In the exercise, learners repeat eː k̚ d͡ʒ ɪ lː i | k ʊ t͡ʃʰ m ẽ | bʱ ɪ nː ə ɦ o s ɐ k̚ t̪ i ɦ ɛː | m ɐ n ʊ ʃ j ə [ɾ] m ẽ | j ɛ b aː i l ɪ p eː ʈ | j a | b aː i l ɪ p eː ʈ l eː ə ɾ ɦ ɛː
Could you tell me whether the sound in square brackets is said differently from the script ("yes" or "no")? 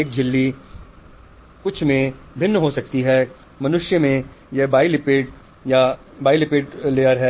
yes